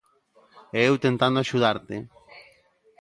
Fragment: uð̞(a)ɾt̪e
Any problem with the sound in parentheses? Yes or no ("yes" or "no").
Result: no